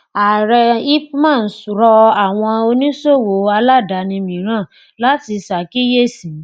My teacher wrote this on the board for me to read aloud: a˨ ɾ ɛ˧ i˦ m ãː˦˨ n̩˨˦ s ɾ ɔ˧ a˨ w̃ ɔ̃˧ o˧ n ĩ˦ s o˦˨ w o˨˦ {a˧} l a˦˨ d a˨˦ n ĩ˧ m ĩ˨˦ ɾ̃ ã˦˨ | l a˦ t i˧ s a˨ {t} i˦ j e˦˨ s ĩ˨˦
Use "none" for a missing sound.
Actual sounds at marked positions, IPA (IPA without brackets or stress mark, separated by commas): a˧, k